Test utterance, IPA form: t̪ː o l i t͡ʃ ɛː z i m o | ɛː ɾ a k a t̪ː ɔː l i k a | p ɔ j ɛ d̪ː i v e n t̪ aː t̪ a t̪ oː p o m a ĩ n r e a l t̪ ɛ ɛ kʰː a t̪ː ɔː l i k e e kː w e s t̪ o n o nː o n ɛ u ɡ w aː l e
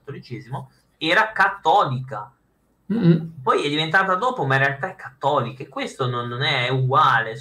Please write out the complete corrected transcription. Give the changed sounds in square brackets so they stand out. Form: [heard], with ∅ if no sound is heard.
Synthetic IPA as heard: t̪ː o l i t͡ʃ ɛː z i m o | ɛː ɾ a k a t̪ː ɔː l i k a | p ɔ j ɛ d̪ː i v e n t̪ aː t̪ a [d̪] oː p o m a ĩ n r e a l t̪ [a] ɛ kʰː a t̪ː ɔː l i k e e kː w e s t̪ o n o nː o n ɛ u ɡ w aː l e